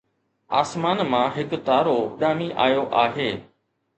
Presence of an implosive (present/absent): present